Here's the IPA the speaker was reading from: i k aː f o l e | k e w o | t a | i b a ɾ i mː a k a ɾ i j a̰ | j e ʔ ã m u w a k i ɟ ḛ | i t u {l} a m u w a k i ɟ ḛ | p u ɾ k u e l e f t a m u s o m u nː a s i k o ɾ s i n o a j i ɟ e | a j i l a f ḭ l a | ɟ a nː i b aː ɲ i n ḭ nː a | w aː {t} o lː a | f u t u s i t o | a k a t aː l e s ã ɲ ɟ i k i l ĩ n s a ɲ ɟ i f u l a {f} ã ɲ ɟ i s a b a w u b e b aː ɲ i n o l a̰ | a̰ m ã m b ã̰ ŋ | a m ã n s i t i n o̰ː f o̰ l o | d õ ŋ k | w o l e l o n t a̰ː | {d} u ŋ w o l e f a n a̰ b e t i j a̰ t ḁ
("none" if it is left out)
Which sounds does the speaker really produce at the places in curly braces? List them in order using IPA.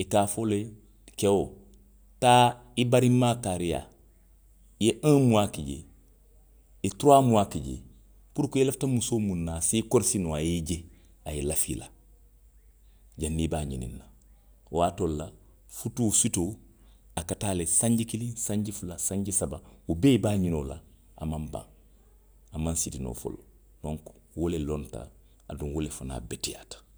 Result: ɾ, t, s, d

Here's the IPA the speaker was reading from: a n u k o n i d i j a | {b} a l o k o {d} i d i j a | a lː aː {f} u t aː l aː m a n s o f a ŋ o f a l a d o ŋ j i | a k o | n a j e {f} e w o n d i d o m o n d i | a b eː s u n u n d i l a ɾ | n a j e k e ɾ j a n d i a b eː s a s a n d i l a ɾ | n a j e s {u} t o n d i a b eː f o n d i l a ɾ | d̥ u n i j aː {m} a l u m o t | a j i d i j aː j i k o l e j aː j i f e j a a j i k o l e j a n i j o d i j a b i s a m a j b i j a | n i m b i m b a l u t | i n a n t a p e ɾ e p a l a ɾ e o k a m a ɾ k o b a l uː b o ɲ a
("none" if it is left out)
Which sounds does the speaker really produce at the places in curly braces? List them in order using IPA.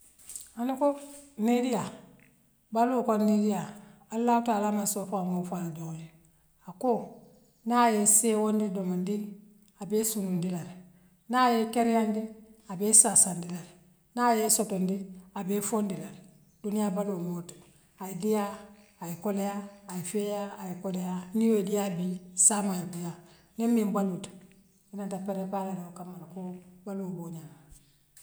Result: b, n, h, s, o, b

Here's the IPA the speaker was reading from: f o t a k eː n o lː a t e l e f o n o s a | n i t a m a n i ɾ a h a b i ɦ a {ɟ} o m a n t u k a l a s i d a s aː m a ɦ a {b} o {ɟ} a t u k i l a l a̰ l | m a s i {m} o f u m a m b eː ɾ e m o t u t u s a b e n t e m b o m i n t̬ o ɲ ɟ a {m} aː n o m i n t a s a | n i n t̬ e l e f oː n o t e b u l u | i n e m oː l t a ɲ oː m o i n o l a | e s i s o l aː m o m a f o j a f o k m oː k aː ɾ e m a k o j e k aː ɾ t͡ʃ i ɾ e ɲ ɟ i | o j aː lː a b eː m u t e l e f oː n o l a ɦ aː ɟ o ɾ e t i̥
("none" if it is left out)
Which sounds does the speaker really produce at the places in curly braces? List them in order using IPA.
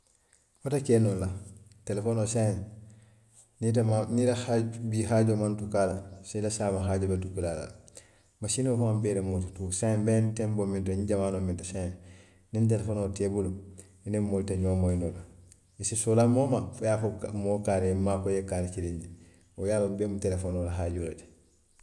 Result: ɟ, ɟ, b, n, m

